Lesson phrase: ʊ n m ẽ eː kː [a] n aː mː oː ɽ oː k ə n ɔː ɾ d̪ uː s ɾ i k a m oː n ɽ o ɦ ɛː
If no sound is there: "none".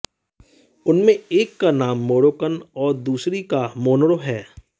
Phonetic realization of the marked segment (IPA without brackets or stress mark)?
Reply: a